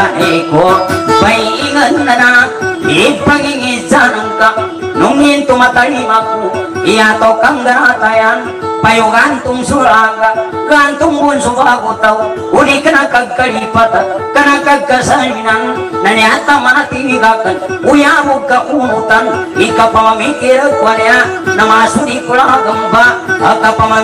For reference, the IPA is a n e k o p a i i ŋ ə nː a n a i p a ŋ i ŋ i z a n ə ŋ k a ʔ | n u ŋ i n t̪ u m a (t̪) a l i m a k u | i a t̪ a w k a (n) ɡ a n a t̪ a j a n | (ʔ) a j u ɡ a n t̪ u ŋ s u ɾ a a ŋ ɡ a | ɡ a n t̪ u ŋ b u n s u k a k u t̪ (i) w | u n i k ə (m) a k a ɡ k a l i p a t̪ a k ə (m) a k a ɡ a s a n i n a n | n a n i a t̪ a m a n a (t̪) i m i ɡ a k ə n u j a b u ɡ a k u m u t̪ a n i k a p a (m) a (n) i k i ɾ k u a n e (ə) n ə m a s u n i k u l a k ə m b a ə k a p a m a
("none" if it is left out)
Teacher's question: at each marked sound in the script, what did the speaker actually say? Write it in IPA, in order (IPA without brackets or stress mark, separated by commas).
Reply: t̪, ŋ, p, a, n, n, t̪, m, m, a